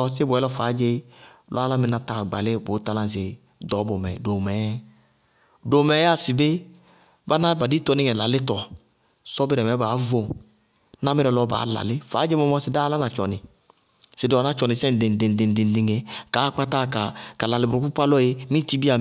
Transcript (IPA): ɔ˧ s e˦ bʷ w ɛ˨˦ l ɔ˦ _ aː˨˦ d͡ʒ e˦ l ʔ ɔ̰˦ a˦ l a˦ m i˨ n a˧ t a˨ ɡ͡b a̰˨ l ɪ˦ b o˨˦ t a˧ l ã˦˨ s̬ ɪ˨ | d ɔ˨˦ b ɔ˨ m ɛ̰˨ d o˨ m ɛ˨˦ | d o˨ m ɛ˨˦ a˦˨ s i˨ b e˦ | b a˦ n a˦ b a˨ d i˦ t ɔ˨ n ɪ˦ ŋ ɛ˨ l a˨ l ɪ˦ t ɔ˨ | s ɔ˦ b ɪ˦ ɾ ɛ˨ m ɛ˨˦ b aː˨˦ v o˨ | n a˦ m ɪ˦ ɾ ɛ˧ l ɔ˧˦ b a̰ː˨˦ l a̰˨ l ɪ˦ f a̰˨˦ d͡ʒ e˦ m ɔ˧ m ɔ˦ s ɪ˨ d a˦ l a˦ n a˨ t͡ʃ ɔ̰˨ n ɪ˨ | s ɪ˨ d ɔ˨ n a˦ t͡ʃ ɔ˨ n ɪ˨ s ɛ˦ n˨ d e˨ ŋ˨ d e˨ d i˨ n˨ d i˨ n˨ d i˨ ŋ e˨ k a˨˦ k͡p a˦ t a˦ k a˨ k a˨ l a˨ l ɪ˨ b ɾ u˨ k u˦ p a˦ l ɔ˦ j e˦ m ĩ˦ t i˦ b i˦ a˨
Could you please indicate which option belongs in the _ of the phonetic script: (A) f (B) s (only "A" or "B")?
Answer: A